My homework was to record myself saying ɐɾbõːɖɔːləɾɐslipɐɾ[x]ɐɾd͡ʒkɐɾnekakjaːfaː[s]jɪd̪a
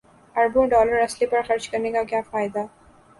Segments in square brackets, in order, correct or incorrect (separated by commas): correct, incorrect